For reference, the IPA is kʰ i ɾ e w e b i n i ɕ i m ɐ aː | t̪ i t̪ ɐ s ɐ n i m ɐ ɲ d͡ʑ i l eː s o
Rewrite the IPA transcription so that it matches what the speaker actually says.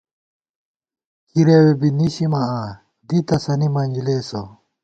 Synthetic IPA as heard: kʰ i ɾ e w e b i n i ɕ i m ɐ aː | d̪ i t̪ ɐ s ɐ n i m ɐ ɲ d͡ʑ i l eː s o